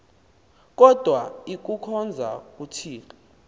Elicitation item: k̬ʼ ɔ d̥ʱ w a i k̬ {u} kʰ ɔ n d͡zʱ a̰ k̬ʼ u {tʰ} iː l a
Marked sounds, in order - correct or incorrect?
correct, correct

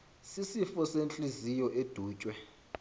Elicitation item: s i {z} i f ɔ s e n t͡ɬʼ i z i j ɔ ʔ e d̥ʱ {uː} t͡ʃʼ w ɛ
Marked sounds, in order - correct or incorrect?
incorrect: s, correct

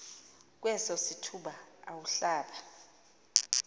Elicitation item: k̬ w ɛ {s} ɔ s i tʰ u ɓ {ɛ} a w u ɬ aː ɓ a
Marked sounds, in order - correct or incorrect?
correct, incorrect: a

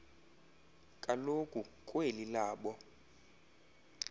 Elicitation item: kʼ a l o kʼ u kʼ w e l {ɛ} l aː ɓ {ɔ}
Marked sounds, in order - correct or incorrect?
incorrect: i, correct

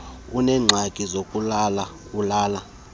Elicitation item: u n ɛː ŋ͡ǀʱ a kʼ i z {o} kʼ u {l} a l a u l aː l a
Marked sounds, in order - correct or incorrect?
correct, correct

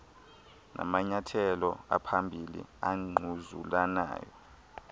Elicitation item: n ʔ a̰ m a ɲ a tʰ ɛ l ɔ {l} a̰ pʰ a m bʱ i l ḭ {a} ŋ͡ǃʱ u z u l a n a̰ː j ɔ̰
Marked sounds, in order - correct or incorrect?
incorrect: none, correct

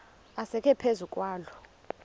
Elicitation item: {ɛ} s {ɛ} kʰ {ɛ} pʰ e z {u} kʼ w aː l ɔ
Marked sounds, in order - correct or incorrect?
incorrect: a, correct, correct, correct

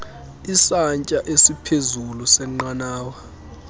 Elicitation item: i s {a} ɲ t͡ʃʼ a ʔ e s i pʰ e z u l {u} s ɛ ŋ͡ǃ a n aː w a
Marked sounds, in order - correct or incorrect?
correct, correct

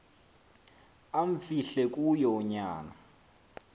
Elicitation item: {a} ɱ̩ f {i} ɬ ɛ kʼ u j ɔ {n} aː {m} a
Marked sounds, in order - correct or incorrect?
correct, correct, incorrect: ɲ, incorrect: n

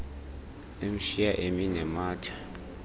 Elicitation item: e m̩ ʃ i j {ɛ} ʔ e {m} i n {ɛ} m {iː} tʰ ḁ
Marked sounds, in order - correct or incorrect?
incorrect: a, correct, correct, incorrect: aː

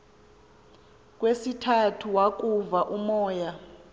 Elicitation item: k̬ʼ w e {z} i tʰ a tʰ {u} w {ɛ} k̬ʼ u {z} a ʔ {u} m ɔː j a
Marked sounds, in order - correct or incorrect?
incorrect: s, correct, incorrect: a, incorrect: v, correct

